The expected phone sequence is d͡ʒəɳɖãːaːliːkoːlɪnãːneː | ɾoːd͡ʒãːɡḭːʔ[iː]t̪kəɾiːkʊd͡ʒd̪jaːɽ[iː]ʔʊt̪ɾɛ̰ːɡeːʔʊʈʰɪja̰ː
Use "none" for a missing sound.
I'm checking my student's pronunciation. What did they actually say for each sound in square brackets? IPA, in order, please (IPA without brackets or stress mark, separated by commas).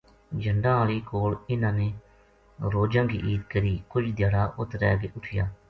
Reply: iː, aː